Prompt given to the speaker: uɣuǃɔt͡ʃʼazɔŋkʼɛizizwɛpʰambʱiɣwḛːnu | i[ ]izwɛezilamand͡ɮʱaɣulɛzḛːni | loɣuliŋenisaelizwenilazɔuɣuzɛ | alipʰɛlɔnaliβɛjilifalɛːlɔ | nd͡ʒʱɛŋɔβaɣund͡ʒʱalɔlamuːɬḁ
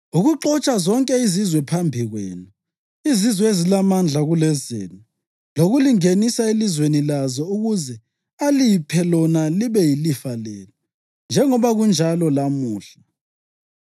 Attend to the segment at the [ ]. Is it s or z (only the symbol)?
z